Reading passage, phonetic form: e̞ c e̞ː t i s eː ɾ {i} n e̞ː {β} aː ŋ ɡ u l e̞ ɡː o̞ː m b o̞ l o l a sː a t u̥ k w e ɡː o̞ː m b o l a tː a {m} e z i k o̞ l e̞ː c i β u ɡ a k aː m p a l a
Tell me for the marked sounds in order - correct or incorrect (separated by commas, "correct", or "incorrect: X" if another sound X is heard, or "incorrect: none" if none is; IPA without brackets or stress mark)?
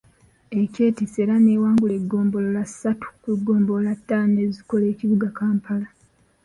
incorrect: a, incorrect: w, incorrect: n